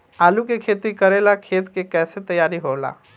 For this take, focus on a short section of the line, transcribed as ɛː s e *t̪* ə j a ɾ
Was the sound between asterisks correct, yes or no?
yes